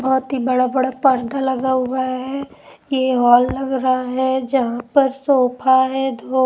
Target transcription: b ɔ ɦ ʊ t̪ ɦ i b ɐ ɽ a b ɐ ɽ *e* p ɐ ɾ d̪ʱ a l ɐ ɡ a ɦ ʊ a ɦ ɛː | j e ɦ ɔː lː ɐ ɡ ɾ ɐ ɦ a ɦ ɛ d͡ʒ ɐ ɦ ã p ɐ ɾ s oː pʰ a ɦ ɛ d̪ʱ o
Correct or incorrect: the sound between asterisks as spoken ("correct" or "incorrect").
incorrect